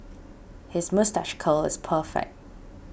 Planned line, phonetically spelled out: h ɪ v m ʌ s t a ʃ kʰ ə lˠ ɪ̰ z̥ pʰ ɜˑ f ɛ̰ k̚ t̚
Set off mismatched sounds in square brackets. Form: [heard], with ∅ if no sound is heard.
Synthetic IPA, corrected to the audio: h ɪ [z] m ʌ s t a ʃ kʰ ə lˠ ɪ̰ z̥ pʰ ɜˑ f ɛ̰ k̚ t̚